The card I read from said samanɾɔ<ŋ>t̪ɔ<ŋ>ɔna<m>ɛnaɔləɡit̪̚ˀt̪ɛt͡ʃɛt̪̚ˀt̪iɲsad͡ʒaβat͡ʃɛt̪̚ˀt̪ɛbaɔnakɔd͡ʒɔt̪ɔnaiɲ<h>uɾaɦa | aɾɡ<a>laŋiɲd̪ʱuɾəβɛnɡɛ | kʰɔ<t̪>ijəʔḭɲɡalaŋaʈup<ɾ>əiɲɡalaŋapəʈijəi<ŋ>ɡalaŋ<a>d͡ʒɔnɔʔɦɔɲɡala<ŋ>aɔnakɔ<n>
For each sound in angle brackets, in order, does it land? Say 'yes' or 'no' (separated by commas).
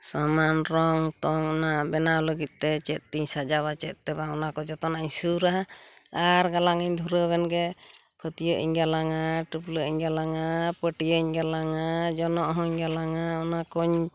yes, yes, no, no, yes, yes, no, no, yes, yes, no